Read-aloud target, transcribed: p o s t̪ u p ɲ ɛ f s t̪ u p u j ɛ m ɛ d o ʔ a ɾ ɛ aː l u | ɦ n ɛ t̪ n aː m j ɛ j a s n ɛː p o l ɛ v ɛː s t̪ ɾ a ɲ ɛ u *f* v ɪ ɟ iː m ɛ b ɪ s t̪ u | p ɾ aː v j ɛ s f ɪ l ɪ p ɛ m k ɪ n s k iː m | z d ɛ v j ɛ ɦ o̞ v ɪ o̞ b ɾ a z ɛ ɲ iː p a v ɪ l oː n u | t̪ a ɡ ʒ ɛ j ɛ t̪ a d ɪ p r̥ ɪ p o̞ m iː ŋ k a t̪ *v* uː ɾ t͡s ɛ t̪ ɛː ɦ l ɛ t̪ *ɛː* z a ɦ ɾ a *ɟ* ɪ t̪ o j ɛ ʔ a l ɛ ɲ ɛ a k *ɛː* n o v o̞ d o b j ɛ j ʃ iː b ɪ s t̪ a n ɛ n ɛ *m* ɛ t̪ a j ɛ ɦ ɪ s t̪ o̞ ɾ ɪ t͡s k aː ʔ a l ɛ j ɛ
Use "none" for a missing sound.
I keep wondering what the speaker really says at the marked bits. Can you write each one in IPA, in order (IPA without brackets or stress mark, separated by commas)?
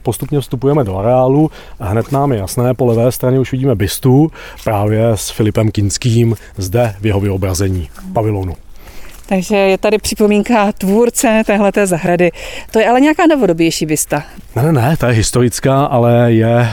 ʃ, v, ɛː, d, aː, n